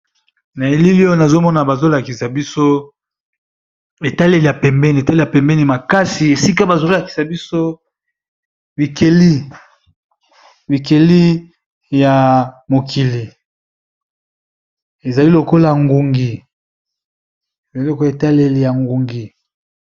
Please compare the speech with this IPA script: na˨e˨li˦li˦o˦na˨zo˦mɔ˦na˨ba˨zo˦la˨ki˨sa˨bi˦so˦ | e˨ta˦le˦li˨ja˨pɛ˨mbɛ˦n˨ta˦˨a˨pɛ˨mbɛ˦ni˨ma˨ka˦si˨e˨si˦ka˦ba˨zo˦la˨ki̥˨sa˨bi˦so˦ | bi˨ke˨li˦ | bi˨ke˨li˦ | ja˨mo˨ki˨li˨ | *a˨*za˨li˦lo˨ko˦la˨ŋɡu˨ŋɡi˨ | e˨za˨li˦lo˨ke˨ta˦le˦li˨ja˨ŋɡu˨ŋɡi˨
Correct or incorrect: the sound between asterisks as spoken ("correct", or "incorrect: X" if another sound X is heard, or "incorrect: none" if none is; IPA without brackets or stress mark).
incorrect: e˨